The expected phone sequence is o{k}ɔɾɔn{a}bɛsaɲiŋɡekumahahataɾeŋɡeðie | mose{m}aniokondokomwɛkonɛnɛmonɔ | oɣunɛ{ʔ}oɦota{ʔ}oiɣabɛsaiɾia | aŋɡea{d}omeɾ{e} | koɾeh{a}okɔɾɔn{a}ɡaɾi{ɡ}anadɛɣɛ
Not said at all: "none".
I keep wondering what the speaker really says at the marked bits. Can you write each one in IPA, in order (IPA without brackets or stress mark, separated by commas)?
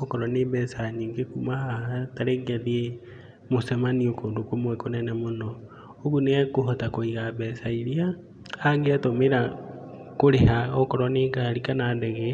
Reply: k, e, m, k, k, t, a, a, e, k